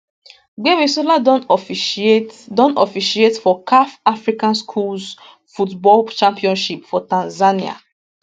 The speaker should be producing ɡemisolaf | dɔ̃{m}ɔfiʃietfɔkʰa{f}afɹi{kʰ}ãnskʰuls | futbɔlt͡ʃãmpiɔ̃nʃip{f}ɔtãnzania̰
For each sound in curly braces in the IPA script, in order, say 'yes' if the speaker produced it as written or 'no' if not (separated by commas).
no, yes, no, yes